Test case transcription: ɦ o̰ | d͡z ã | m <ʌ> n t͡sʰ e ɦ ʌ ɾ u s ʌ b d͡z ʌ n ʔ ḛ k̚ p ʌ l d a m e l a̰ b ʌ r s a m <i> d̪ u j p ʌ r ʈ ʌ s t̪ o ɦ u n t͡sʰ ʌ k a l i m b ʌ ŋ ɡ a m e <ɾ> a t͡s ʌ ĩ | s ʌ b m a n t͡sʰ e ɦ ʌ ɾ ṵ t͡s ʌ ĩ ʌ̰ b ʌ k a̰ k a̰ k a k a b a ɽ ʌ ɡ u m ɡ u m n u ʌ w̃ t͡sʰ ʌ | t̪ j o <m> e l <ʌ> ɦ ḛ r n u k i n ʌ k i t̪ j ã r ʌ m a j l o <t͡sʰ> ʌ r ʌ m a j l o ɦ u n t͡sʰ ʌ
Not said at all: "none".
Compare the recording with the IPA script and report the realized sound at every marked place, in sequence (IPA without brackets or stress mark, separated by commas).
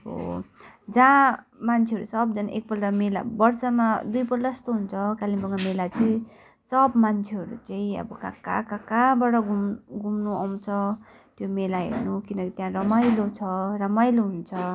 a, a, l, m, a, t͡sʰ